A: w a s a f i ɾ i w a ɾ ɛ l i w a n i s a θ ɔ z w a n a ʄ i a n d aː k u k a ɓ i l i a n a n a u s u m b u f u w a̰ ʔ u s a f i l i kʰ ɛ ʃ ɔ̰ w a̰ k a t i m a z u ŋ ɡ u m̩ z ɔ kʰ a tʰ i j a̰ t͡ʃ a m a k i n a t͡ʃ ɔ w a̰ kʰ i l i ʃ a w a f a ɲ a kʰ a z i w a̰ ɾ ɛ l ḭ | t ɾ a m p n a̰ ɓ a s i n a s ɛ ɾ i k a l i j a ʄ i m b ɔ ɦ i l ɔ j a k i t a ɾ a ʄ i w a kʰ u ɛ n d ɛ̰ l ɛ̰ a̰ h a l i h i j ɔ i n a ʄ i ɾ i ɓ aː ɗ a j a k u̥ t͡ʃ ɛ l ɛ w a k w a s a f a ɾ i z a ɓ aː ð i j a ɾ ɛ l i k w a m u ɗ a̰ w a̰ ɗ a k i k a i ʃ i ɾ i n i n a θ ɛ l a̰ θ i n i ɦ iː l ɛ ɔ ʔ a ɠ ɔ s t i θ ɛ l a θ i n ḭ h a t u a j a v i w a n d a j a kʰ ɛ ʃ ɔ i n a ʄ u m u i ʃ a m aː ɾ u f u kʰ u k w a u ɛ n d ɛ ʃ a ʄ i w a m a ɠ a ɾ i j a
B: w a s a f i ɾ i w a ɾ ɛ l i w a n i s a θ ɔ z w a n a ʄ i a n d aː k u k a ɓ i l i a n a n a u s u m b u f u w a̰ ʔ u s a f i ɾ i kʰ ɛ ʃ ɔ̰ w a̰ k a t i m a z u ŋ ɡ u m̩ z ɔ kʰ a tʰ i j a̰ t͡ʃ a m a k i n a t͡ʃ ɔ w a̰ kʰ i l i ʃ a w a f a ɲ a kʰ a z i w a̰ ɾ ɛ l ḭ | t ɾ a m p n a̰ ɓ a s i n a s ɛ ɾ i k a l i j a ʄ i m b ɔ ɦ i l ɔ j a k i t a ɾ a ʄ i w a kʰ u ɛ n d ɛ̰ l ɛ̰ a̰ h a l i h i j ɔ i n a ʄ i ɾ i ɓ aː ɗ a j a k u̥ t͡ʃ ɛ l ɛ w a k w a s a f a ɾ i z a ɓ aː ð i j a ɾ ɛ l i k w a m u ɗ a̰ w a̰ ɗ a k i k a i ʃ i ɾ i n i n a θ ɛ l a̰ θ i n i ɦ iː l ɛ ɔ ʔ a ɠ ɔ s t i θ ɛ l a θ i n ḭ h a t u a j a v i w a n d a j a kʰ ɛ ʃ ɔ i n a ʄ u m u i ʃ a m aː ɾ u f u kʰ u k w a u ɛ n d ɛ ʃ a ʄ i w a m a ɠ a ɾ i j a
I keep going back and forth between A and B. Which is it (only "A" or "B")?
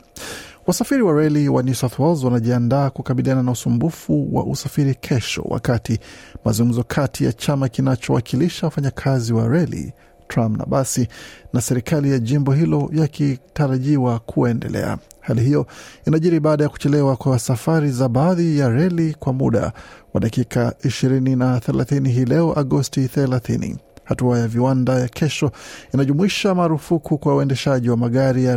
B